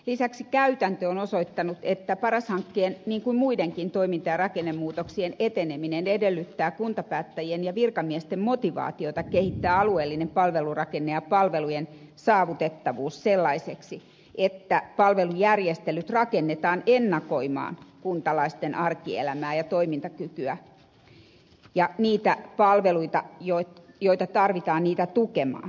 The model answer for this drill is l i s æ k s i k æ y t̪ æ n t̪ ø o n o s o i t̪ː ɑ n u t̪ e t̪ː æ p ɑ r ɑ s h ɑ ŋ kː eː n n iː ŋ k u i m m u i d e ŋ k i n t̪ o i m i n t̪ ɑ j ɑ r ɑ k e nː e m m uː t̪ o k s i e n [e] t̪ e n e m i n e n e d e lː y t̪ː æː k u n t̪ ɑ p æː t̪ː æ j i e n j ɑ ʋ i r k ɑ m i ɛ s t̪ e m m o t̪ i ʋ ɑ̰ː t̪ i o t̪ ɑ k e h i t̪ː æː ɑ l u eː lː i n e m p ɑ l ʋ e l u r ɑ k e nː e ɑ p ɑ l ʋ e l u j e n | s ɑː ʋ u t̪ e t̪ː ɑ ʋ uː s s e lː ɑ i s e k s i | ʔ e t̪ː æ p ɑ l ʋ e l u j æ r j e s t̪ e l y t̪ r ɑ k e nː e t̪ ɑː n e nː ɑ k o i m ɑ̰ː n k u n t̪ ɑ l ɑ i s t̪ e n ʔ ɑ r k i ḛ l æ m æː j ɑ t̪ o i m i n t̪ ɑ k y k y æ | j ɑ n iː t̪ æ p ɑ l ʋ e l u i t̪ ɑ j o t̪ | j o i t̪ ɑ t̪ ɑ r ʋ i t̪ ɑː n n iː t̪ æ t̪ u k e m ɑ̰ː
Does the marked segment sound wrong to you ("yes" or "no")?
no